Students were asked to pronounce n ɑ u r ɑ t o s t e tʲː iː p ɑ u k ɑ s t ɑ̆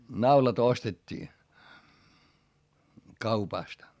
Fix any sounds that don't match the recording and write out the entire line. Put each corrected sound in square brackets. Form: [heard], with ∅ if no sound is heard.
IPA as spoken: n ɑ u [l] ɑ t o s t e tʲː iː [k] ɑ u [p] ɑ s t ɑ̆